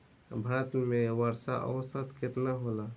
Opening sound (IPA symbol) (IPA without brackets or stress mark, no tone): bʱ